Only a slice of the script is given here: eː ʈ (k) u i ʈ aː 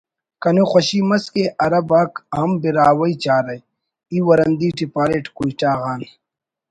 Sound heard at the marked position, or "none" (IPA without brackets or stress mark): k